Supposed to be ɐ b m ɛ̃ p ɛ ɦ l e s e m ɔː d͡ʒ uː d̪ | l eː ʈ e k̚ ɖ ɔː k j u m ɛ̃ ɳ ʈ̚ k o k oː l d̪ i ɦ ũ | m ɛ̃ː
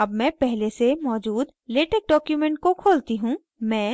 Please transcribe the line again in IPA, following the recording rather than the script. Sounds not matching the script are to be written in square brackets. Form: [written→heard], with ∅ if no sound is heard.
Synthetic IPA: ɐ b m ɛ̃ p ɛ ɦ l e s e m ɔː d͡ʒ uː d̪ | l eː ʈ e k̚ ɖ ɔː k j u m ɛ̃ ɳ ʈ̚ k o [k→kʰ] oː l [d̪→t̪] i ɦ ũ | m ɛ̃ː